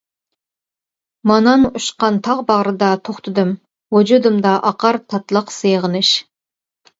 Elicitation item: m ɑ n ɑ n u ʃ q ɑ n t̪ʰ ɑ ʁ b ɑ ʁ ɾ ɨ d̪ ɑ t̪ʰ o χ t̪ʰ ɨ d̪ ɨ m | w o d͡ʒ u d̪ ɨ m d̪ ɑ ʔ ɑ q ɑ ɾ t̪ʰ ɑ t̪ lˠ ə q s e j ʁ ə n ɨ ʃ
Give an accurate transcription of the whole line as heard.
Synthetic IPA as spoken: m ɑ n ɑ n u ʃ q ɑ n t̪ʰ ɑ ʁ b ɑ ʁ ɾ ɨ d̪ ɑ t̪ʰ o χ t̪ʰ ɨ d̪ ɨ m | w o d͡ʒ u d̪ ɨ m d̪ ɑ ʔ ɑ q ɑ ɾ t̪ʰ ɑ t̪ lˠ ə q s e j ʁ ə n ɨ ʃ